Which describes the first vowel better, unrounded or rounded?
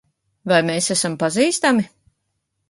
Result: unrounded